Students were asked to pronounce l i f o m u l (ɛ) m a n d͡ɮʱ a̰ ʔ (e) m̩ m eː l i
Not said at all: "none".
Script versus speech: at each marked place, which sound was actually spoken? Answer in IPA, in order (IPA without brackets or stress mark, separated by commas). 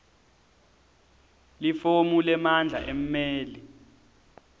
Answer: ɛ, e